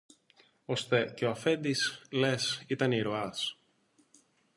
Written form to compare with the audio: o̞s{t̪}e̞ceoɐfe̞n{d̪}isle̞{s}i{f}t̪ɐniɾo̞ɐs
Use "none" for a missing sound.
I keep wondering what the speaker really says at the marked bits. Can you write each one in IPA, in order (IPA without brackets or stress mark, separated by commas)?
t̪, d̪, s, none